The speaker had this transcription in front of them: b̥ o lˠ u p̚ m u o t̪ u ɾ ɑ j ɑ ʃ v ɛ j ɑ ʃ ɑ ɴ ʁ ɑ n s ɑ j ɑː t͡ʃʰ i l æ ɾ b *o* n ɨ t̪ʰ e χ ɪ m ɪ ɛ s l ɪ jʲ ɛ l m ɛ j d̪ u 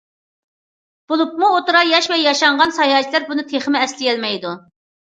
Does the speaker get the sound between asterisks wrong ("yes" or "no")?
yes